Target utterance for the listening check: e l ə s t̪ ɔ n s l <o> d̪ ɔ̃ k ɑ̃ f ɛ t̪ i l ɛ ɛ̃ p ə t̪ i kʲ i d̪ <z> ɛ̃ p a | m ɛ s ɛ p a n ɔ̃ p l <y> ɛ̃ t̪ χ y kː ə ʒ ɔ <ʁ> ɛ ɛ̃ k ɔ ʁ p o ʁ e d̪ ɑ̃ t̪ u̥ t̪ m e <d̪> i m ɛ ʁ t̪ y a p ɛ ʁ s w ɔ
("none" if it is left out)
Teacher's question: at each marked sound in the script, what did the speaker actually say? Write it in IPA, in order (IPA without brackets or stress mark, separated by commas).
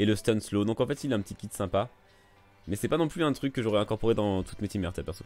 o, s, y, ʁ, t̪